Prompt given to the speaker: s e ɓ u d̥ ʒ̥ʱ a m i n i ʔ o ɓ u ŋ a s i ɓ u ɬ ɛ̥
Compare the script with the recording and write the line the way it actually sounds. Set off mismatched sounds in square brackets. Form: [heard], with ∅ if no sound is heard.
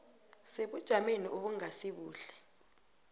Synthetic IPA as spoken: s e ɓ u d̥ ʒ̥ʱ a m [e] n i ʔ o ɓ u ŋ a s i ɓ [uː] ɬ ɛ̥